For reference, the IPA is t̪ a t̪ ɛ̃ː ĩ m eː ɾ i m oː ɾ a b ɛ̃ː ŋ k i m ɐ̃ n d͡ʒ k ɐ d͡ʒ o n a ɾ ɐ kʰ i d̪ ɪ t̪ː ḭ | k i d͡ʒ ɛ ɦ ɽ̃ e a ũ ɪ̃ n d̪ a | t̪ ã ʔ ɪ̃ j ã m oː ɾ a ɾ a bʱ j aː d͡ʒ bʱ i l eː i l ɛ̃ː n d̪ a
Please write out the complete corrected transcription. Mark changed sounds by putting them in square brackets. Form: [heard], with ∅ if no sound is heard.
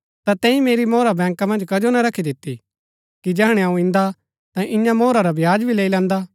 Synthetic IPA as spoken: t̪ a t̪ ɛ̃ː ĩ m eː ɾ i m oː ɾ a b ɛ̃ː ŋ k [a] m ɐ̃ n d͡ʒ k ɐ d͡ʒ o n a ɾ ɐ kʰ i d̪ ɪ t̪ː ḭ | k i d͡ʒ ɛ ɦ ɽ̃ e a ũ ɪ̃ n d̪ a | t̪ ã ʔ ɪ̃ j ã m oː ɾ a ɾ a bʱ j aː d͡ʒ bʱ i l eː i l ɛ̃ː n d̪ a